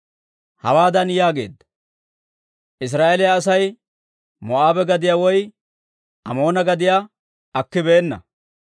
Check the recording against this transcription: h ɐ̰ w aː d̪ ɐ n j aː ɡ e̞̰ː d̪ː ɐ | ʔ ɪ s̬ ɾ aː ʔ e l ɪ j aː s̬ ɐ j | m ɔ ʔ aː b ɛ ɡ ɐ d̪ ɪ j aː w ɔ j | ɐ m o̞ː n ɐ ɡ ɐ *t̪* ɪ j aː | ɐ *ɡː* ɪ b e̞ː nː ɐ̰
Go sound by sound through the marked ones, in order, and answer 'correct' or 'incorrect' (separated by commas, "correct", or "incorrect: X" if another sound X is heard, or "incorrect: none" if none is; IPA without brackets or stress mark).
incorrect: d̪, incorrect: kː